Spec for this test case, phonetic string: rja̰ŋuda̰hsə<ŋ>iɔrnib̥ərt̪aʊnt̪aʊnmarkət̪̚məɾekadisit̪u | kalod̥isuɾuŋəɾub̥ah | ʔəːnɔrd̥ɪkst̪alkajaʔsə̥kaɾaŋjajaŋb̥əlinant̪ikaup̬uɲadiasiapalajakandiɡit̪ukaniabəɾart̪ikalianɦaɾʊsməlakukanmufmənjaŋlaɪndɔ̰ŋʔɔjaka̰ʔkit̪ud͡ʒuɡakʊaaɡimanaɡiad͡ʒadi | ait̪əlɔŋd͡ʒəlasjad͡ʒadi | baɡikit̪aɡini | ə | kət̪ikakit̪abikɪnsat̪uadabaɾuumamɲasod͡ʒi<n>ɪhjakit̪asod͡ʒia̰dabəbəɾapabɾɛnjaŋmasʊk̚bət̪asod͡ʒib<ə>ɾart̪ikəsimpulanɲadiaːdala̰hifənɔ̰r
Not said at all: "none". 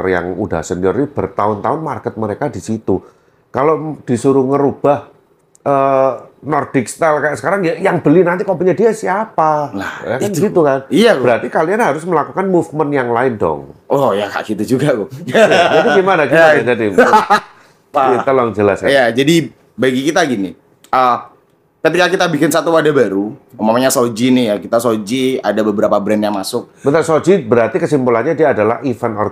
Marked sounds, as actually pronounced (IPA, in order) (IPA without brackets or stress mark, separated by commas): n, n, ə